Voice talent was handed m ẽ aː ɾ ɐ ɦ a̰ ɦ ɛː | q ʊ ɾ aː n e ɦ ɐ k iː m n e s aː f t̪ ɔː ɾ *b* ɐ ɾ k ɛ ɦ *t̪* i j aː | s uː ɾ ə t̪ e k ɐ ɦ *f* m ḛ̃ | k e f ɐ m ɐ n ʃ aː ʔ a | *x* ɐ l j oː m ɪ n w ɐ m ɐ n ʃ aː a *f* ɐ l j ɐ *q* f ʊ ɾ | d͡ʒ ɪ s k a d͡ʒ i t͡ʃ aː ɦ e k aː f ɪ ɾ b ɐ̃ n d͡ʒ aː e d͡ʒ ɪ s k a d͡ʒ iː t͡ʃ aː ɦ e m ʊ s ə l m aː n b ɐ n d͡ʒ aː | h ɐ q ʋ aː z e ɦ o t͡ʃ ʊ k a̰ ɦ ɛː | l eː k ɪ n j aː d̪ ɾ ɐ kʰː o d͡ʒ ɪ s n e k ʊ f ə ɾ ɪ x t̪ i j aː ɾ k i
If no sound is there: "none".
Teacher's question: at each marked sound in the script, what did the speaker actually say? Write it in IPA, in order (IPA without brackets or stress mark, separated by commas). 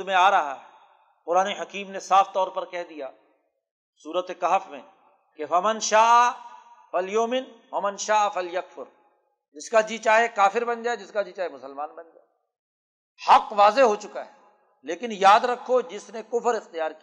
p, d̪, f, f, f, k